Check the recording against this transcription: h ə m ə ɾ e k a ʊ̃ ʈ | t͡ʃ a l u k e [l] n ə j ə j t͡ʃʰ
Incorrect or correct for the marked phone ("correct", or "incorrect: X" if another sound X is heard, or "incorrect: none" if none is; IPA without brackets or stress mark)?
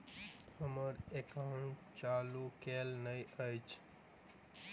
correct